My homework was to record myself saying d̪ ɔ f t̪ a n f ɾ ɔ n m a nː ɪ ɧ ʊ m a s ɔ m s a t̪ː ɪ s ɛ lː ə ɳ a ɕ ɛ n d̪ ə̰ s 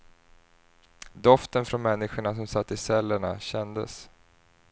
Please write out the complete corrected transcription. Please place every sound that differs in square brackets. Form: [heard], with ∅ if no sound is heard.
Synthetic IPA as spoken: d̪ ɔ f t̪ [ə] n f ɾ ɔ n m [ɛ] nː ɪ ɧ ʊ [ɳ] a s ɔ m s a t̪ː ɪ s ɛ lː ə ɳ a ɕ ɛ n d̪ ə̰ s